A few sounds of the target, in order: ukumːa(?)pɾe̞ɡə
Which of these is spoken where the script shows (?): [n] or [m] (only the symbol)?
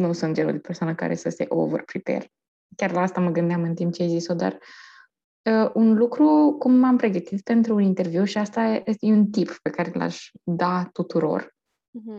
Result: m